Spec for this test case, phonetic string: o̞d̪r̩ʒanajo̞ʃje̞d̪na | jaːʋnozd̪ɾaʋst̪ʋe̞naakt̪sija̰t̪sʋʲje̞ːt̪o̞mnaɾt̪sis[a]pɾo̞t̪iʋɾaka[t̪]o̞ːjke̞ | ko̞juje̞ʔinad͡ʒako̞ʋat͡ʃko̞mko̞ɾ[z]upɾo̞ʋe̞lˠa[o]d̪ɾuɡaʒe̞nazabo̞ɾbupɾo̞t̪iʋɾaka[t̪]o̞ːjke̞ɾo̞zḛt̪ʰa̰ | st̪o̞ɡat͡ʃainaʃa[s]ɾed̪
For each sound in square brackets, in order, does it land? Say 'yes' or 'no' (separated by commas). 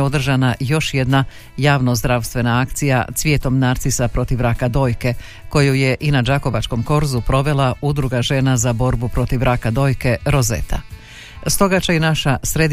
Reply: yes, no, yes, no, no, yes